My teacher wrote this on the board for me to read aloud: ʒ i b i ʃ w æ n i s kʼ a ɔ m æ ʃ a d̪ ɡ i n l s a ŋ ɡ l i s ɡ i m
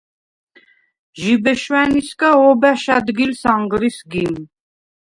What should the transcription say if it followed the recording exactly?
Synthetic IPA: ʒ i b ɛ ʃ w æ n i s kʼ a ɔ b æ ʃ a d̪ ɡ i l s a ŋ ɡ ɾ i s ɡ i m